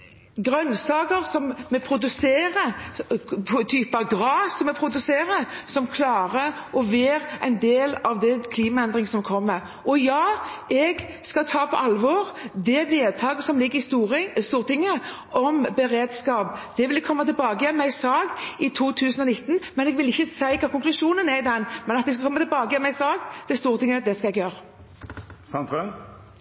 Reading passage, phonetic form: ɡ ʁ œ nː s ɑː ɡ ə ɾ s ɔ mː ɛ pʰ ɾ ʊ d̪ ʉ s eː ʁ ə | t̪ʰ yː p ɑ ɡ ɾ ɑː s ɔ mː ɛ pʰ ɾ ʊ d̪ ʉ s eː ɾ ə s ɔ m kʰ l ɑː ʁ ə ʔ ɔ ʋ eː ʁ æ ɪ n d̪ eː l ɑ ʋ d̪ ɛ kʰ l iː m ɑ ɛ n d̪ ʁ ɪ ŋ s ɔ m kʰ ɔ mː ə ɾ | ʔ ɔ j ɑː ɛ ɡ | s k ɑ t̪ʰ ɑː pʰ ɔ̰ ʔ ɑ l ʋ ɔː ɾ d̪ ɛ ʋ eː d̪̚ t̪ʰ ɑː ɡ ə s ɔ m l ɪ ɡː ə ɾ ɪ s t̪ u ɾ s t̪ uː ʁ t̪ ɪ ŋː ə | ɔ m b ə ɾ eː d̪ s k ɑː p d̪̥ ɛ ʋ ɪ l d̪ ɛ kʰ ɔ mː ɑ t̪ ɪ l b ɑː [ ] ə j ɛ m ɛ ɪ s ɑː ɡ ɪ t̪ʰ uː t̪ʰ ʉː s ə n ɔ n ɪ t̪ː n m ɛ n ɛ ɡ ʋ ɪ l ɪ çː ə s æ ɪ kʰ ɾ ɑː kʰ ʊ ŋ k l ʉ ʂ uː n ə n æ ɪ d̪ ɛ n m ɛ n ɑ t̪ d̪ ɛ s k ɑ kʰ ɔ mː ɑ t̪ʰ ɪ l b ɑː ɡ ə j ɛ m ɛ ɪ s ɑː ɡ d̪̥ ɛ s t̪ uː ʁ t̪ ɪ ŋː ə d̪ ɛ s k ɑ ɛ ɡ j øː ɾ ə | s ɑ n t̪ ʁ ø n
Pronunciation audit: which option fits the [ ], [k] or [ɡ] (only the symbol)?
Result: ɡ